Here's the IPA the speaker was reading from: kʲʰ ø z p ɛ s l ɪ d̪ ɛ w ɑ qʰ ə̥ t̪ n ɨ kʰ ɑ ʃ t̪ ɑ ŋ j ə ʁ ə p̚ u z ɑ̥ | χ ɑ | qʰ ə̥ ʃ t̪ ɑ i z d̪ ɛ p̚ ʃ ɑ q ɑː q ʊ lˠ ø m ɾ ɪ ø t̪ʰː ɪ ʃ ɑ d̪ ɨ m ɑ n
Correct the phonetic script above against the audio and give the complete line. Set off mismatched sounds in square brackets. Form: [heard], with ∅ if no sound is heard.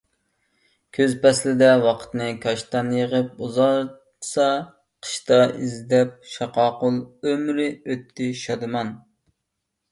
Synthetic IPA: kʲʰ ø z p ɛ s l ɪ d̪ ɛ w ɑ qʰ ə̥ t̪ n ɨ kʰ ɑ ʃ t̪ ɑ [n] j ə ʁ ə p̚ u z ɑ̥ | [s] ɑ | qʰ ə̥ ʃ t̪ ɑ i z d̪ ɛ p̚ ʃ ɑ q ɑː q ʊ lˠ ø m ɾ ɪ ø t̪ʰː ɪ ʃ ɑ d̪ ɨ m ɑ n